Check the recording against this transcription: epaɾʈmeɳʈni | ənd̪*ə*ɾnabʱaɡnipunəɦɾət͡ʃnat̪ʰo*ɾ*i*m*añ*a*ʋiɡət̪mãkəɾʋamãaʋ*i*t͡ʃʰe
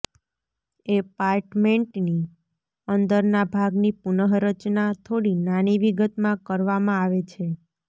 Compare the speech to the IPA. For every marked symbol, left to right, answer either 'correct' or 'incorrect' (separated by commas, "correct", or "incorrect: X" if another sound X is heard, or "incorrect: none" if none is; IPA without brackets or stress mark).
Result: correct, incorrect: ɽ, incorrect: n, incorrect: i, incorrect: e